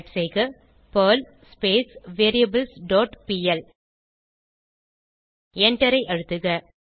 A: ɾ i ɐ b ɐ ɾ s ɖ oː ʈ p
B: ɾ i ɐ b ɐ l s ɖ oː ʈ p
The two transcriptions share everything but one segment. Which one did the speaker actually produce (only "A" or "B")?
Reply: B